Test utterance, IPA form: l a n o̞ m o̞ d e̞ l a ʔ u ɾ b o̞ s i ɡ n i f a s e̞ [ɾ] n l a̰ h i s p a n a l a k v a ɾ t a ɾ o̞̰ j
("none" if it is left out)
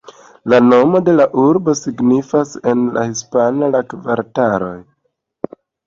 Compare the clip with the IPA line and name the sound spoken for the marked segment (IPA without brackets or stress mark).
none